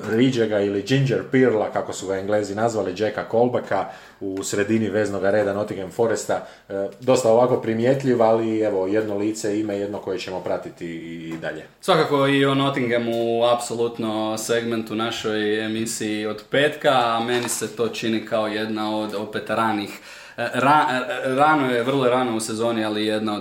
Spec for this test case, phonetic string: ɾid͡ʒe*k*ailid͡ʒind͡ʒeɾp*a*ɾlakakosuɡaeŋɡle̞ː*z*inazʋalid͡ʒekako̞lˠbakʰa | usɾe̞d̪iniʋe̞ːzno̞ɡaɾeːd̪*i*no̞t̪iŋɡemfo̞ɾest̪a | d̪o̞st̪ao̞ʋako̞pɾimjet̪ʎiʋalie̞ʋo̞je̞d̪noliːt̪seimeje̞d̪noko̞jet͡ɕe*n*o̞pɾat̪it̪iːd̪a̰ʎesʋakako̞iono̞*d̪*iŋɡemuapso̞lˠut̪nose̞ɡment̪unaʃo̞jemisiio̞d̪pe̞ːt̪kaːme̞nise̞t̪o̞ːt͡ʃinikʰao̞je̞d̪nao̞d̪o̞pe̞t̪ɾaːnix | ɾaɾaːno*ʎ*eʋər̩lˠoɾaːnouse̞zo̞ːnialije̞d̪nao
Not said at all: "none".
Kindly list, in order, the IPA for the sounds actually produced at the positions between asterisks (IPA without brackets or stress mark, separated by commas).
ɡ, i, z, a, m, t̪, j